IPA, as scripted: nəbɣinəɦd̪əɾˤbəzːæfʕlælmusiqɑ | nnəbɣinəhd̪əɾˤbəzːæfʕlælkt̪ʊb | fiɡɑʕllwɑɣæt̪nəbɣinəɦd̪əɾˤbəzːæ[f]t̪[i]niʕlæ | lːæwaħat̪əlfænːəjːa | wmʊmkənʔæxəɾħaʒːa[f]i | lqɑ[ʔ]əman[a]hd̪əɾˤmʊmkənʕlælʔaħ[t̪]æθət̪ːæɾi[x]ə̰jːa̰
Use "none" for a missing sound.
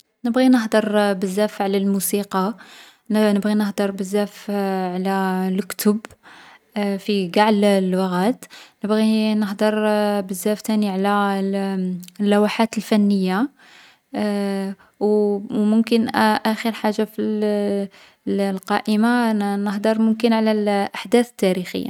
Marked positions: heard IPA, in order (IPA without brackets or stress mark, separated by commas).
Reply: f, æ, f, ʔ, ə, d̪, x